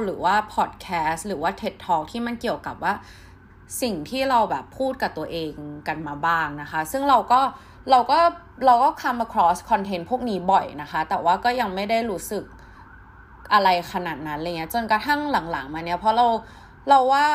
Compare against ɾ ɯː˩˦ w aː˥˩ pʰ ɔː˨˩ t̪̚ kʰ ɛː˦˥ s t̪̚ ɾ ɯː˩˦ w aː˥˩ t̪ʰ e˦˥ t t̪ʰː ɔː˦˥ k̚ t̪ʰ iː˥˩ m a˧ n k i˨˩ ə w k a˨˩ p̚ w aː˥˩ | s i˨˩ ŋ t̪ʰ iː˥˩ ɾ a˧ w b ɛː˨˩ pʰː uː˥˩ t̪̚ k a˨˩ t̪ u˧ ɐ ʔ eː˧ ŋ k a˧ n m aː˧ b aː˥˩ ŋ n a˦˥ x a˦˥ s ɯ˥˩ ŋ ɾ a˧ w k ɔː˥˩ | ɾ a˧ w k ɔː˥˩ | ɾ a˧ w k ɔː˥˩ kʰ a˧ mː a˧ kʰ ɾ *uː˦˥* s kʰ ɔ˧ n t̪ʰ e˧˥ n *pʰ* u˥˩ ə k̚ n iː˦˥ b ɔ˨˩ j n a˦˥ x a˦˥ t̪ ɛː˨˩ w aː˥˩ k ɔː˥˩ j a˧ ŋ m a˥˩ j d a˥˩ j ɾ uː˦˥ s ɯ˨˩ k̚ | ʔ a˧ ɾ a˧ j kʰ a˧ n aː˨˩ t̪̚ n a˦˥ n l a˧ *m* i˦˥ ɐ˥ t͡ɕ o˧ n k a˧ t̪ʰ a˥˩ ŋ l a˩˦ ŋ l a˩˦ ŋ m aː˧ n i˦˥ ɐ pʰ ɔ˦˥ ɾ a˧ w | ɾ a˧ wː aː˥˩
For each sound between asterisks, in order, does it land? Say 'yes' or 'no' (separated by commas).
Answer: no, yes, no